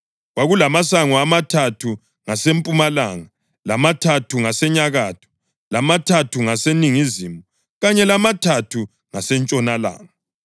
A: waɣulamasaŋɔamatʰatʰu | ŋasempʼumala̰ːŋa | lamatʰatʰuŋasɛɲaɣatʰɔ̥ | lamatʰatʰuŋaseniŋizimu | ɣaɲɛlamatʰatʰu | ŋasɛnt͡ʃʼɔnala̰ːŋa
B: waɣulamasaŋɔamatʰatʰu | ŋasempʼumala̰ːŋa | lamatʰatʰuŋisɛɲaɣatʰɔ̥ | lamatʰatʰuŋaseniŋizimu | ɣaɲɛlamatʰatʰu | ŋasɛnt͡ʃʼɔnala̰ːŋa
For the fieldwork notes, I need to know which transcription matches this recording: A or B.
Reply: A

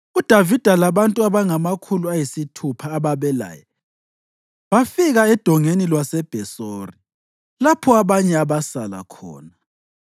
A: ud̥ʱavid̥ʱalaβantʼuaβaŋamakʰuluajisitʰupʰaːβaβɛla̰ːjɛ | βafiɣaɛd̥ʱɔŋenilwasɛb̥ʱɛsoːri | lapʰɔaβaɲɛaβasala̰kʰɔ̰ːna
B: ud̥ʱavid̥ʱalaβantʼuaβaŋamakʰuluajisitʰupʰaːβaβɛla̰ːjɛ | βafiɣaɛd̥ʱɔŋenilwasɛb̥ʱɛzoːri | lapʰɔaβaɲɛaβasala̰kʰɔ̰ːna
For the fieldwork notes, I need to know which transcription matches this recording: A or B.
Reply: A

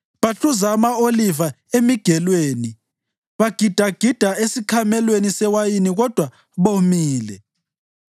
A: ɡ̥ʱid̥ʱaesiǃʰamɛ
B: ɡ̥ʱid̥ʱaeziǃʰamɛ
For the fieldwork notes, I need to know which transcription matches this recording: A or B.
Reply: A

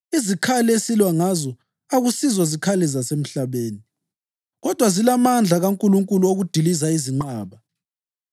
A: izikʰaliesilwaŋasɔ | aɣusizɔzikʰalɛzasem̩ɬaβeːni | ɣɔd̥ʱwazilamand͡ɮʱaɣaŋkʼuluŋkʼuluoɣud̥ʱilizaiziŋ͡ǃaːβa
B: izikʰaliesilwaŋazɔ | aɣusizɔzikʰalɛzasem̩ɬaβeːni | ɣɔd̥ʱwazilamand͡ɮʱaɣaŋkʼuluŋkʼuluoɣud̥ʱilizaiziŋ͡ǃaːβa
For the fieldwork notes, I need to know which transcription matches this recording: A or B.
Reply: B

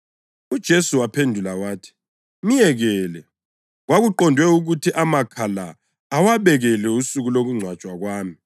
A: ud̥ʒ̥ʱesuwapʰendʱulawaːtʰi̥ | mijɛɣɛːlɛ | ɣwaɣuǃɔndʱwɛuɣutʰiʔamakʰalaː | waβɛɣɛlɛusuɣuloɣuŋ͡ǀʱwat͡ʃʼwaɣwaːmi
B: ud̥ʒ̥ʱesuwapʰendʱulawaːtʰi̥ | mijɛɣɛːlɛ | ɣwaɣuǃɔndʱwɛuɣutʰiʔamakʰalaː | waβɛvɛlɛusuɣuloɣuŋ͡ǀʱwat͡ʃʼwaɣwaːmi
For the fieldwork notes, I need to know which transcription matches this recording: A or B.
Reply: A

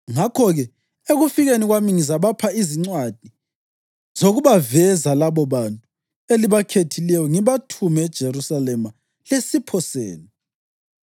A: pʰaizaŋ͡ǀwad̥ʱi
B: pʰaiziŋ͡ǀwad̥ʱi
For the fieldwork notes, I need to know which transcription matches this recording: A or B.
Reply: B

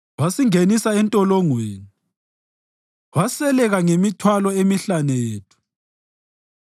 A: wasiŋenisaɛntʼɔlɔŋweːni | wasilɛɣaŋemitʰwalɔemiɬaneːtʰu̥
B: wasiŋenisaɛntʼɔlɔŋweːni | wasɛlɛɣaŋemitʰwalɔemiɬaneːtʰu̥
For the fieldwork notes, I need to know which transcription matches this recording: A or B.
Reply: B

